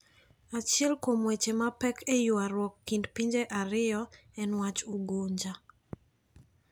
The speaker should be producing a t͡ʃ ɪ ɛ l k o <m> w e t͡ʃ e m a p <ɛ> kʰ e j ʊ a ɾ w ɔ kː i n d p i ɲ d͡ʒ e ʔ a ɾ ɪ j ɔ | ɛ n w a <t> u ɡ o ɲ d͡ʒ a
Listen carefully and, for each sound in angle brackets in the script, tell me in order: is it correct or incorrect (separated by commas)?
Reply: correct, correct, incorrect